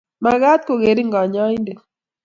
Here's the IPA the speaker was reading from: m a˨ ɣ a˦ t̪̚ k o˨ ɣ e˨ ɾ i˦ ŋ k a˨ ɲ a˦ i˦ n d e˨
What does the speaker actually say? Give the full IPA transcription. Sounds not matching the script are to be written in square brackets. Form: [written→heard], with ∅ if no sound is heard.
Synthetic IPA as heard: m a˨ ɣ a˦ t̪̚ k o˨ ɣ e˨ ɾ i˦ ŋ [k→ɡ] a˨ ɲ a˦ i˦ n d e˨